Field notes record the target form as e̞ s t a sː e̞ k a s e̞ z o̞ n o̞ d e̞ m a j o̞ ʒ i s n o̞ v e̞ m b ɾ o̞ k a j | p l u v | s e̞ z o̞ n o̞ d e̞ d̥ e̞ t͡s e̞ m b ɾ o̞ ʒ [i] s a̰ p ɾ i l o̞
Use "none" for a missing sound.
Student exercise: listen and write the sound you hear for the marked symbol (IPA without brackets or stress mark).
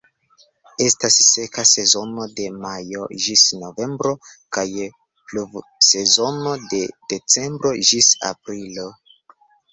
i